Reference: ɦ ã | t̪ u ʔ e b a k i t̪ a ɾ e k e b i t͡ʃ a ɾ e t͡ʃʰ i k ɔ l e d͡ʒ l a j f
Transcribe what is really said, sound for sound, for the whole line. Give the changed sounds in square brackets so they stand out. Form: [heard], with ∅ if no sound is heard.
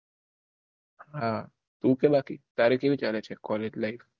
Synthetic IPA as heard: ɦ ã | t̪ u [k] e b a k i t̪ a ɾ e k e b i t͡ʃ a [l] e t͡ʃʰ [e] k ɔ l e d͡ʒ l a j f